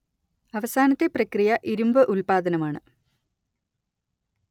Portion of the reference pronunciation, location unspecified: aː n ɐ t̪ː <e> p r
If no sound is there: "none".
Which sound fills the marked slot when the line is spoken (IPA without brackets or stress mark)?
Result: e